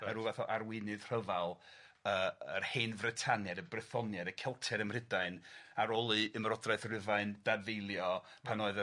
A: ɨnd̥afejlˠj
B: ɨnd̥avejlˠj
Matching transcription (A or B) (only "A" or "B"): B